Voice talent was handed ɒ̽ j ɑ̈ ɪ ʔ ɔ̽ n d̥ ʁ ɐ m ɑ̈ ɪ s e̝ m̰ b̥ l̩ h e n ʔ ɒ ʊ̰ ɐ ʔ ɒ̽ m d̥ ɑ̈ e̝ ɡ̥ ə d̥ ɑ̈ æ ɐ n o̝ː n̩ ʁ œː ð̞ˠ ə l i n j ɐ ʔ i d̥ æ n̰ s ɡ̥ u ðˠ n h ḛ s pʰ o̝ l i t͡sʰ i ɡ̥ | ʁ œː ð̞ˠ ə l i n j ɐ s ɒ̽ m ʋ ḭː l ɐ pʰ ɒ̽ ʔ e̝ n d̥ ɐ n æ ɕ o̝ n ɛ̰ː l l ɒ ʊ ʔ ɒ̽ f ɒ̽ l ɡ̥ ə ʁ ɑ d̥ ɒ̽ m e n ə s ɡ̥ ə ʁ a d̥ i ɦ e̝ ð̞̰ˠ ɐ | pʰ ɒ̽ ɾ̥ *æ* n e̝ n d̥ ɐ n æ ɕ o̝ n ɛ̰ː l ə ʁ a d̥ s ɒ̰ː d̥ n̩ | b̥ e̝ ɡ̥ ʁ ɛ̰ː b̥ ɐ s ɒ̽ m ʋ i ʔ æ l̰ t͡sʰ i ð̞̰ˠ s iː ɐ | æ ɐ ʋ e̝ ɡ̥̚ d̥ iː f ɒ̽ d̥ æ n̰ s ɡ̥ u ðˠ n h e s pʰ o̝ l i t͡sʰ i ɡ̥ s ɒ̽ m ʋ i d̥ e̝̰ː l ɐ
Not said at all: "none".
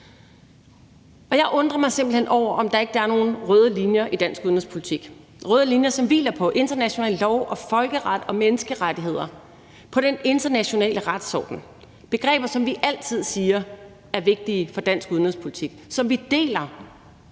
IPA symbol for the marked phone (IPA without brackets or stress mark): e